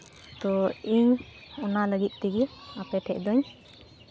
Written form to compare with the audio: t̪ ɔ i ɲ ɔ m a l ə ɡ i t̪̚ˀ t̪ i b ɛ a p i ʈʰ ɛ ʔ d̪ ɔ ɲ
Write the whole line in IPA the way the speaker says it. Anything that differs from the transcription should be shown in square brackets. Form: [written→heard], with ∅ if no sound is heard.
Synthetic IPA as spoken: t̪ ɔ i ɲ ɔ [m→n] a l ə ɡ i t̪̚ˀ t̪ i [b→ɡ] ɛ a p [i→ɛ] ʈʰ ɛ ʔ d̪ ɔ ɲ